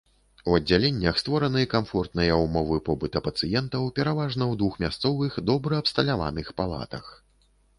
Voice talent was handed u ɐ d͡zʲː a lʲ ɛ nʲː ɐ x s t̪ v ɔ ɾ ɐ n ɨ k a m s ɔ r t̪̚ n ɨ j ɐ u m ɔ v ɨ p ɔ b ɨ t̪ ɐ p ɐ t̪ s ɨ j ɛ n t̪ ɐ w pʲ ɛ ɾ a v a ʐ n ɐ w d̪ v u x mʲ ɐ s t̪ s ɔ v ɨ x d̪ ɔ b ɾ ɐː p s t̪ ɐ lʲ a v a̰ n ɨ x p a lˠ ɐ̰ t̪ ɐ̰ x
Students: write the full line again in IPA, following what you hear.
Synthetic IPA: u ɐ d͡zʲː a lʲ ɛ nʲː ɐ x s t̪ v ɔ ɾ ɐ n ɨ k a m f ɔ r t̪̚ n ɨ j ɐ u m ɔ v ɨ p ɔ b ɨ t̪ ɐ p ɐ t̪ s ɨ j ɛ n t̪ ɐ w pʲ ɛ ɾ a v a ʐ n ɐ w d̪ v u x mʲ a s t̪ s ɔ v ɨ x d̪ ɔ b ɾ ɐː p s t̪ ɐ lʲ a v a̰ n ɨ x p a lˠ a̰ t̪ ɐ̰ x